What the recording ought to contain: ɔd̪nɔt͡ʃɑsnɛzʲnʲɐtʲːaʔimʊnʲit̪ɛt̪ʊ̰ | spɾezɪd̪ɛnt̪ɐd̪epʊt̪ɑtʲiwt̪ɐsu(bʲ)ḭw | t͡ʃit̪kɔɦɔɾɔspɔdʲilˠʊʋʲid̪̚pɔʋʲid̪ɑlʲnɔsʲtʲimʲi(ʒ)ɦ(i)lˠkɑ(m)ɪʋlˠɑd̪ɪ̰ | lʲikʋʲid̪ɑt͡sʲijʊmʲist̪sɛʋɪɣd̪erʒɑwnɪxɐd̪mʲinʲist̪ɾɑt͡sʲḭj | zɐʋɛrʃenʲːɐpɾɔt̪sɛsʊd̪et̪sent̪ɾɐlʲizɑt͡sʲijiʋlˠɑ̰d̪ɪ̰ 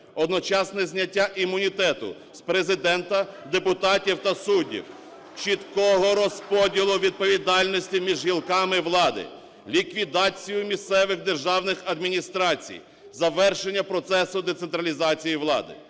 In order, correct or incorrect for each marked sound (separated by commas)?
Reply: incorrect, correct, correct, correct